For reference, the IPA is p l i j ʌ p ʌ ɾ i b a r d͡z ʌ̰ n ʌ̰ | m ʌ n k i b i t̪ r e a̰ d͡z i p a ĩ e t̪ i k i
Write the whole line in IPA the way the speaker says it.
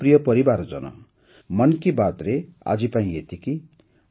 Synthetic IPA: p r i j ʌ p ʌ ɾ i b a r d͡z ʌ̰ n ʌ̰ | m ʌ n k i b a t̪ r e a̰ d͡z i p a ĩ e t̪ i k i